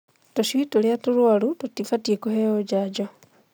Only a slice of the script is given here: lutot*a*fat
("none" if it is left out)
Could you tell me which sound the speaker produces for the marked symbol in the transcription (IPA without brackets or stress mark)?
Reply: i